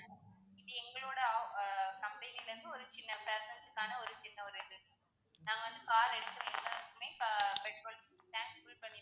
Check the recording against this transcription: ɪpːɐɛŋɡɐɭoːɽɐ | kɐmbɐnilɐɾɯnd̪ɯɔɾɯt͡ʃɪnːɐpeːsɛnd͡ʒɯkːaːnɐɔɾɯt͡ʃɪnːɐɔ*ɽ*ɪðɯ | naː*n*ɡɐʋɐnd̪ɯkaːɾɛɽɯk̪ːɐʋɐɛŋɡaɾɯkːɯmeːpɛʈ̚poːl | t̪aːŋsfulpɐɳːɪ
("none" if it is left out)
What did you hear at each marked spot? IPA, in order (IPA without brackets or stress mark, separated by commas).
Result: ɾ, ŋ